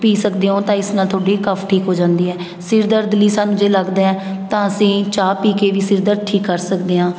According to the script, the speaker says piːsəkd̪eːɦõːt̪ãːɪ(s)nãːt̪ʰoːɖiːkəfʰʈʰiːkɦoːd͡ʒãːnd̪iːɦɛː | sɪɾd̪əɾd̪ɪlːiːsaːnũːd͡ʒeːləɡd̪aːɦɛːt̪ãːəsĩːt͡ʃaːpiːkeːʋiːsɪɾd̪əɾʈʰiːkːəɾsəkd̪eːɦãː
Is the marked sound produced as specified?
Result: yes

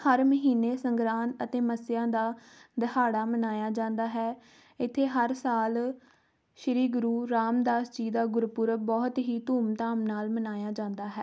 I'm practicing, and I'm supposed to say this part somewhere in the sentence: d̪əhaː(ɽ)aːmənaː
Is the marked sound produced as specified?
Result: yes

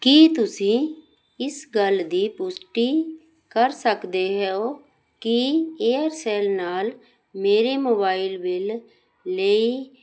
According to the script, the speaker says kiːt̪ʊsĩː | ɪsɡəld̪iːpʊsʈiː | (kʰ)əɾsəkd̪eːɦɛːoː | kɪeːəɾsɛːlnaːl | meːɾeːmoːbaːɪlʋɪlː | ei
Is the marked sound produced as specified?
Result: no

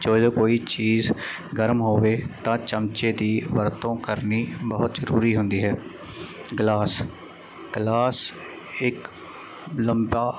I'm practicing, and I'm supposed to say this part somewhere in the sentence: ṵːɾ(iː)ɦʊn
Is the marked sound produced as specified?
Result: yes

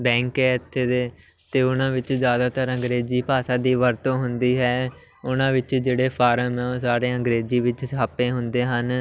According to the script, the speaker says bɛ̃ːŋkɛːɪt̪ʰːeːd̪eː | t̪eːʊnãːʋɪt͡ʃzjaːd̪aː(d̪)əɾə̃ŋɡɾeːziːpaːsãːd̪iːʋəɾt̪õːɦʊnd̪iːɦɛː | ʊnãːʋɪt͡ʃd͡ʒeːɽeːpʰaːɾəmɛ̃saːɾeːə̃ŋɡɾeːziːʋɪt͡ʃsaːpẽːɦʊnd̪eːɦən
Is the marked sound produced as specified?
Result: no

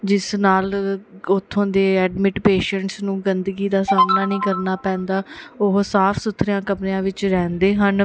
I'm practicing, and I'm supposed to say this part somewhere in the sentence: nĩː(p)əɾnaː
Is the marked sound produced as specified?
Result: no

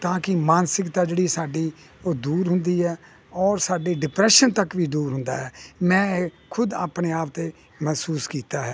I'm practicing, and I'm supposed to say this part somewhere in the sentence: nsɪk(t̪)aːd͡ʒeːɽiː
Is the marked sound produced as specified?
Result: yes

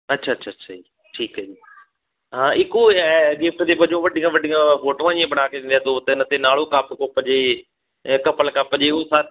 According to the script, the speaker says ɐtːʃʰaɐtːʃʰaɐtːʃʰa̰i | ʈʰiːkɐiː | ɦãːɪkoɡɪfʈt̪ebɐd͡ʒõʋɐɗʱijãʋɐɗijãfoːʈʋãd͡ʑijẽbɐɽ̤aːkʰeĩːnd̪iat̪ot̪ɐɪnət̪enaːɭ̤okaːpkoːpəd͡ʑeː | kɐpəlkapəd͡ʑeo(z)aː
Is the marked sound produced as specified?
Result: no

